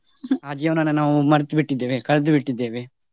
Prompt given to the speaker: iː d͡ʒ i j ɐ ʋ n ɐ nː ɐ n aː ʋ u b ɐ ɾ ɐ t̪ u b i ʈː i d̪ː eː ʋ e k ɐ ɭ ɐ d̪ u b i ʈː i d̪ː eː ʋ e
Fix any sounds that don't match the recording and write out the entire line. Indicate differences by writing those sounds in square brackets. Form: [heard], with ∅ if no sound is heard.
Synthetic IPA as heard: [aː] d͡ʒ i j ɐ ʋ n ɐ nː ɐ n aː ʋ u [m] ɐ ɾ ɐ t̪ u b i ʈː i d̪ː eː ʋ e k ɐ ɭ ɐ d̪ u b i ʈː i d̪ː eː ʋ e